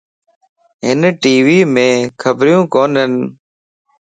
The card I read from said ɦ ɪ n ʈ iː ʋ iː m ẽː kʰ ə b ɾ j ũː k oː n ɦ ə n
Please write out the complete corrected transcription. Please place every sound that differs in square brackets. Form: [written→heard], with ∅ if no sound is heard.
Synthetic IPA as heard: ɦ ɪ n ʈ iː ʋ iː m ẽː kʰ ə b ɾ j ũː k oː n ɦ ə n